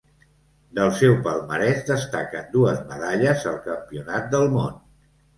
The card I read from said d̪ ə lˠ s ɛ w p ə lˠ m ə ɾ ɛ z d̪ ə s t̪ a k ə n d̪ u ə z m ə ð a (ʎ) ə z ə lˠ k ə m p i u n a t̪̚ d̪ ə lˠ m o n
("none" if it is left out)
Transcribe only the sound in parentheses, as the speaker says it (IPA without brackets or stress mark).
ʎ